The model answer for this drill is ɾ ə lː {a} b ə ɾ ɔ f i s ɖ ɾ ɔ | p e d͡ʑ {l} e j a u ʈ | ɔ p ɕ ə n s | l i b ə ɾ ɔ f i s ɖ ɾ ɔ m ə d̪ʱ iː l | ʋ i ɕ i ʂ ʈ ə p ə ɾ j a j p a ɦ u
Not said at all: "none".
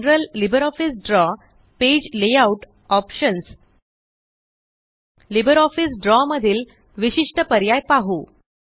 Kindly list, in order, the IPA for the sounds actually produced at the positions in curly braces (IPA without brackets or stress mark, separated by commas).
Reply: i, l